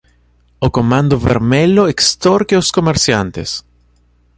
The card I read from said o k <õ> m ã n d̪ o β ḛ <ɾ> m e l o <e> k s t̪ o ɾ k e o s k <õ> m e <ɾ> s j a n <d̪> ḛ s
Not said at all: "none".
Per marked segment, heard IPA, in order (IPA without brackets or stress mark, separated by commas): o, ɾ, e, o, ɾ, t̪